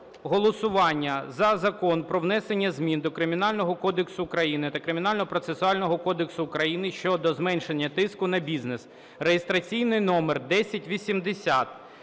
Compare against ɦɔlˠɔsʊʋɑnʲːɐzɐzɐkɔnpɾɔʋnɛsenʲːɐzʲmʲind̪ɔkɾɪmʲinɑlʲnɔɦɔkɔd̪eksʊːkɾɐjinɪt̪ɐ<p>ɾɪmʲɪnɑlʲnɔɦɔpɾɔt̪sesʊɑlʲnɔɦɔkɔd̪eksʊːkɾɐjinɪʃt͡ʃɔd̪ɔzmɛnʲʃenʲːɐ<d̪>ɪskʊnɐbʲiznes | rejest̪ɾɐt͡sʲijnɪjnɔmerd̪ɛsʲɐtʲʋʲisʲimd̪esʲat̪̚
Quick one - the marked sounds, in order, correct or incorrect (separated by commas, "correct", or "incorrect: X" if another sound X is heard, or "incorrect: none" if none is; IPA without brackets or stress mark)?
incorrect: k, incorrect: t̪